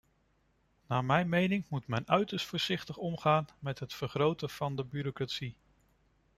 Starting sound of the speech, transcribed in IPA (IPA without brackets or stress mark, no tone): n